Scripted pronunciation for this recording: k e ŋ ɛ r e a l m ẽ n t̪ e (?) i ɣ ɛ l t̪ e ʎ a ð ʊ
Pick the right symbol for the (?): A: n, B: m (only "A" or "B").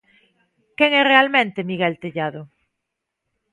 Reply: B